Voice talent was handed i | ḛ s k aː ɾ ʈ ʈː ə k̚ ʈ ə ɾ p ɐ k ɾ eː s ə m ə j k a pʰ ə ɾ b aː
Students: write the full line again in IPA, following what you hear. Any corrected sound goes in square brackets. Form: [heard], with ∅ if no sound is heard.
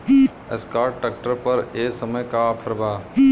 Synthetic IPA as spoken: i | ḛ s k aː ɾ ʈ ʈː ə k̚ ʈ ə ɾ p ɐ [∅] ɾ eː s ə m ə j k a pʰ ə ɾ b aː